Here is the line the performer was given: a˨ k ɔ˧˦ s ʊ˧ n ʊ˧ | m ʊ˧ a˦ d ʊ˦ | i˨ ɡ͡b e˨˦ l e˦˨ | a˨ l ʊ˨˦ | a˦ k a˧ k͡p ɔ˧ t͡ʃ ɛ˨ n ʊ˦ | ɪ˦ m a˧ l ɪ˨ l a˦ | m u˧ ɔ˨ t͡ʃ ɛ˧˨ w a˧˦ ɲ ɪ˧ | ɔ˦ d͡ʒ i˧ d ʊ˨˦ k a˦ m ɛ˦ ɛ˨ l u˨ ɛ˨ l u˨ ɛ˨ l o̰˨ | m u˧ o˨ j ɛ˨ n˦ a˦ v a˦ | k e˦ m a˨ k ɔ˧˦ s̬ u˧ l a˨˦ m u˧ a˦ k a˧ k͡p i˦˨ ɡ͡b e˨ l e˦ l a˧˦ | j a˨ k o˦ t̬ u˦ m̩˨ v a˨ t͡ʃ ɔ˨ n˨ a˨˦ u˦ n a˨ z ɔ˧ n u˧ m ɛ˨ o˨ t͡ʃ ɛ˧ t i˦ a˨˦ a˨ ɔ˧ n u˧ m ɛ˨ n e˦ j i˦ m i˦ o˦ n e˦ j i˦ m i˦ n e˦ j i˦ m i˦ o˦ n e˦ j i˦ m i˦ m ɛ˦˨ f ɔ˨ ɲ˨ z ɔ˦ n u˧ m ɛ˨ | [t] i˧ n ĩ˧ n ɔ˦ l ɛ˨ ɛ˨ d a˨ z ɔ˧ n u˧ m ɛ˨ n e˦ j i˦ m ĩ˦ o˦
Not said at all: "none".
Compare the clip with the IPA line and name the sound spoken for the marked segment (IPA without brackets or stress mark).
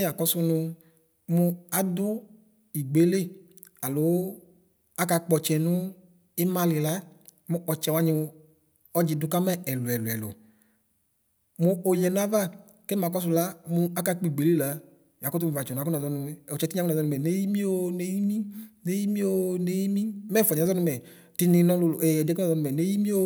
t